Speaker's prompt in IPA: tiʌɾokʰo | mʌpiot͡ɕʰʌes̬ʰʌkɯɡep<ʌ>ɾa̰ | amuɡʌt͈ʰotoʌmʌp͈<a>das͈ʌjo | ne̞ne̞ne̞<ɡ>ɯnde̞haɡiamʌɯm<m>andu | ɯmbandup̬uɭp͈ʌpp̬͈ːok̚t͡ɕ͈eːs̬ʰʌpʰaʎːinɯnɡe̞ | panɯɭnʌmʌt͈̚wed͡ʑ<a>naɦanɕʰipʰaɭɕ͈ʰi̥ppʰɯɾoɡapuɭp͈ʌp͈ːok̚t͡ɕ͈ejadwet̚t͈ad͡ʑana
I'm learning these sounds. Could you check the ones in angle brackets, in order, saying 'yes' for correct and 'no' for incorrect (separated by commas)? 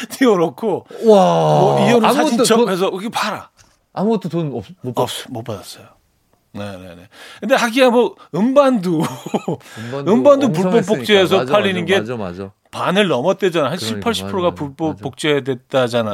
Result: no, yes, no, no, yes